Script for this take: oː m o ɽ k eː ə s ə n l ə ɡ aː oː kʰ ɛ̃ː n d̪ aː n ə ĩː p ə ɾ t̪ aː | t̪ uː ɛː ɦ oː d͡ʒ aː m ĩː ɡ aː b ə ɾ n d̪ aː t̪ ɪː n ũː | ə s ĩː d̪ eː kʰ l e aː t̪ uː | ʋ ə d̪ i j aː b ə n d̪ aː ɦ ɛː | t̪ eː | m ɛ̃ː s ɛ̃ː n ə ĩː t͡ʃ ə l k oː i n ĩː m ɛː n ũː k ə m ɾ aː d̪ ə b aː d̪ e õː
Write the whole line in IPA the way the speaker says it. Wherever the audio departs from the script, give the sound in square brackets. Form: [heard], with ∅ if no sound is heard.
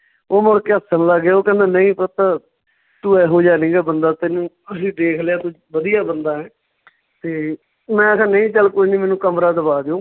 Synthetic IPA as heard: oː m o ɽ k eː ə s ə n l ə ɡ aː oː [k] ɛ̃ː n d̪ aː n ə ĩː p ə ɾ t̪ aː | t̪ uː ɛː ɦ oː d͡ʒ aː [n] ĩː ɡ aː b ə [∅] n d̪ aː t̪ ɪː n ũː | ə s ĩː d̪ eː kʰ l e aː t̪ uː | ʋ ə d̪ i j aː b ə n d̪ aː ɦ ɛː | t̪ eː | m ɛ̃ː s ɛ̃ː n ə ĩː t͡ʃ ə l k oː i n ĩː m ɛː n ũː k ə m ɾ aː d̪ ə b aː d̪ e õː